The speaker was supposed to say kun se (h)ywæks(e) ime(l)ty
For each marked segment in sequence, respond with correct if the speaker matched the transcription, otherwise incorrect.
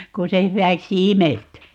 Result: correct, incorrect: i, correct

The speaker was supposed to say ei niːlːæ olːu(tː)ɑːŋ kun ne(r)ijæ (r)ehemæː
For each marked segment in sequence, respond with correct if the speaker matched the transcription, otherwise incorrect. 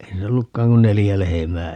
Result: incorrect: kː, incorrect: l, incorrect: l

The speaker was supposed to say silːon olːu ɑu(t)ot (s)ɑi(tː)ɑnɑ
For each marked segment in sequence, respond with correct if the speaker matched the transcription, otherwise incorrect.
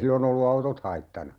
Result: correct, incorrect: h, correct

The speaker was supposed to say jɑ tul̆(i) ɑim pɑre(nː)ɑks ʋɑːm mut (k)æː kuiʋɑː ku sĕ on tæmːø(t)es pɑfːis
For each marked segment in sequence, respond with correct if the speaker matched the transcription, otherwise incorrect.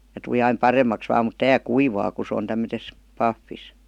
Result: correct, incorrect: mː, incorrect: t, correct

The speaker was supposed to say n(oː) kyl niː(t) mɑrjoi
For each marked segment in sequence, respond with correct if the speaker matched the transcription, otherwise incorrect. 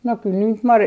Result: incorrect: o, correct

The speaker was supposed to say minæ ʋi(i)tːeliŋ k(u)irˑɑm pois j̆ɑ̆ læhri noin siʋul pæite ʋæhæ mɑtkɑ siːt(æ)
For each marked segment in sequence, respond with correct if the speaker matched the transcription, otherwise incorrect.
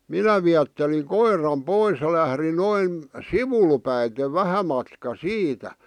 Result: incorrect: æ, incorrect: o, correct

